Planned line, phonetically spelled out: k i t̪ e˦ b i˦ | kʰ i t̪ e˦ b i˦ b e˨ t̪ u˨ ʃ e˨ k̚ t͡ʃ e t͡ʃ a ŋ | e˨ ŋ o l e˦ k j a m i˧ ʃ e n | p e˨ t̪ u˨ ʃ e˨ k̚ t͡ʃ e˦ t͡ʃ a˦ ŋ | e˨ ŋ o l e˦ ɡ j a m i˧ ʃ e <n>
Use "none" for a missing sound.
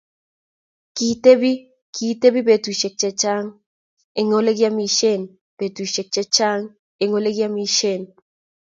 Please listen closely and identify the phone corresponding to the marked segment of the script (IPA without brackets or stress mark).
n